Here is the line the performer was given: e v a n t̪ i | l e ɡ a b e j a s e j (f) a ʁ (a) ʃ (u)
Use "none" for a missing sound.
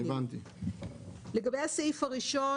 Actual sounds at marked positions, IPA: f, i, o

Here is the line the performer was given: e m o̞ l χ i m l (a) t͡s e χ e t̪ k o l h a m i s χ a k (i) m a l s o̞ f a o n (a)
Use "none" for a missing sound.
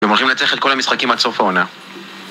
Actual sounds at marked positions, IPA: a, i, a

